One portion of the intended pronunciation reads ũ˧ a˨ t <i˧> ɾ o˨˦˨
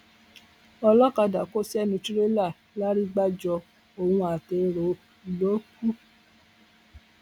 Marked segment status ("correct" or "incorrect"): incorrect